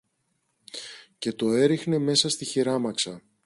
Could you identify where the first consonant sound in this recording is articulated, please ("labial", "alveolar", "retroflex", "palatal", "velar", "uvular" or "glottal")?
palatal